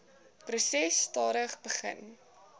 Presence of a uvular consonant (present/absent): present